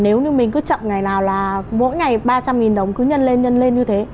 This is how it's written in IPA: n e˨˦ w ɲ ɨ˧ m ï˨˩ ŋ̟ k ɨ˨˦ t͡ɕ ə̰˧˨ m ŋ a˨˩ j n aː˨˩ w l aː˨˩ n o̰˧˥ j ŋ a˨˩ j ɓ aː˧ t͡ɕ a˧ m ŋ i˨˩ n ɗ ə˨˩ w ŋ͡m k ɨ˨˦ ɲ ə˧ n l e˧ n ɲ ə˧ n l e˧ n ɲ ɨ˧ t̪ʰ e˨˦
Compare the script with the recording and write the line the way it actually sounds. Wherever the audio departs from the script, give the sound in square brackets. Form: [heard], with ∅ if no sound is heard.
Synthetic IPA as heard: n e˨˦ w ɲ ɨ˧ m ï˨˩ ŋ̟ k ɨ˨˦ t͡ɕ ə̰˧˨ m ŋ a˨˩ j n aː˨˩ w l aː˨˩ [m] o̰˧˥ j ŋ a˨˩ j ɓ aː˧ t͡ɕ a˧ m ŋ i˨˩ n ɗ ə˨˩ w ŋ͡m k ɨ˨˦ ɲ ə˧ n l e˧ n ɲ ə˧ n l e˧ n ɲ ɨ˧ t̪ʰ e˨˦